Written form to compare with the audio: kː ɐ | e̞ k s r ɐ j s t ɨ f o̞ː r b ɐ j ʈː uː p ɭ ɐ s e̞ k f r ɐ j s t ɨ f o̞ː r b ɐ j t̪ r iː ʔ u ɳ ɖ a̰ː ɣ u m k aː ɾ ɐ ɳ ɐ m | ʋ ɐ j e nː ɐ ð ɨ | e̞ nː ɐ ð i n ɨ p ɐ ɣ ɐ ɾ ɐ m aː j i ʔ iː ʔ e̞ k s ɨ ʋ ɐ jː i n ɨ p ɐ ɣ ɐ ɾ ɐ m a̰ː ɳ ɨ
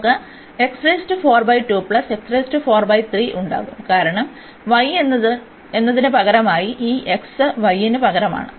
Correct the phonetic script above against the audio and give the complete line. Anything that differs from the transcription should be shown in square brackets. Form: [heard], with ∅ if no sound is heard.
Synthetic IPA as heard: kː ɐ | e̞ k s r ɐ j s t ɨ f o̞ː r b ɐ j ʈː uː p ɭ ɐ s e̞ k [s] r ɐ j s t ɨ f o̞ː r b ɐ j t̪ r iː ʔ u ɳ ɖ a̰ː ɣ u m k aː ɾ ɐ ɳ ɐ m | ʋ ɐ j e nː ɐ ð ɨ | e̞ nː ɐ ð i n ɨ p ɐ ɣ ɐ ɾ ɐ m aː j i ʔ iː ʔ e̞ k s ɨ ʋ ɐ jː i n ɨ p ɐ ɣ ɐ ɾ ɐ m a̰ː ɳ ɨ